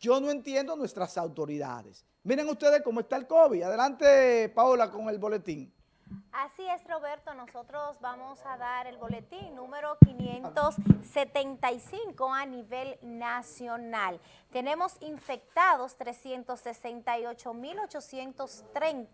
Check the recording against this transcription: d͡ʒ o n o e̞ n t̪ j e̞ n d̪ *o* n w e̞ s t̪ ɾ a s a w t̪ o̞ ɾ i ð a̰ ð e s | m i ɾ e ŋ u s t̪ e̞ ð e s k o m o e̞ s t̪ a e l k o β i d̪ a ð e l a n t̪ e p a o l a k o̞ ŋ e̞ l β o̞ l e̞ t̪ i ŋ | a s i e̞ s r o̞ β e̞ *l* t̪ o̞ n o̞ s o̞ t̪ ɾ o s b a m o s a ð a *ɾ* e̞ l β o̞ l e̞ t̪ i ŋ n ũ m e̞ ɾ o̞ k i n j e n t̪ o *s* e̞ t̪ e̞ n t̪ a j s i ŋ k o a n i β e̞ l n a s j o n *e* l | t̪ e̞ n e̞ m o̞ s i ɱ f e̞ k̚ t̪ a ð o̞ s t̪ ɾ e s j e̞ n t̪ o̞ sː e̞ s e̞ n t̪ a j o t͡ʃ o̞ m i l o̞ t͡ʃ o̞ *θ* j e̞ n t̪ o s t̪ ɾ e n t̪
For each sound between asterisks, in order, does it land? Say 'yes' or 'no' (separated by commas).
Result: yes, no, yes, no, no, no